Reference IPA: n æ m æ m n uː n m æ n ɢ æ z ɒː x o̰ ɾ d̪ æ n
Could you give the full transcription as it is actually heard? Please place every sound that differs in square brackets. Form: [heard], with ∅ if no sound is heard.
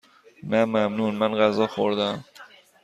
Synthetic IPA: n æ m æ m n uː n m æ n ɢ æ z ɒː x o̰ ɾ d̪ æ [m]